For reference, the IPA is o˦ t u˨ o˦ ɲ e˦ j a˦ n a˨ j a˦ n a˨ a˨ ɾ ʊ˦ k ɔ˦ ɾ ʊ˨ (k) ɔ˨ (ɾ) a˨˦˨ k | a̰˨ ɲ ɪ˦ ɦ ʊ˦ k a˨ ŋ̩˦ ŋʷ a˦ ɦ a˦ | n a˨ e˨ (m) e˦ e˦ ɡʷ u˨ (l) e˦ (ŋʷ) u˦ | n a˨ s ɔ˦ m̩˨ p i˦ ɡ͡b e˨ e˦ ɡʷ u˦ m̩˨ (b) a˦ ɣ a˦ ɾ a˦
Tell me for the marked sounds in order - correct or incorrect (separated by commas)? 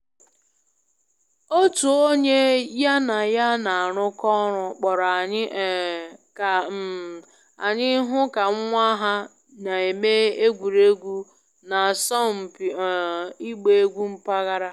incorrect, correct, correct, incorrect, incorrect, incorrect